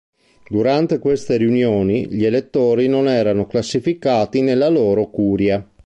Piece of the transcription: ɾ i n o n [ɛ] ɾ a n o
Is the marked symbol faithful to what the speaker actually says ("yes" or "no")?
no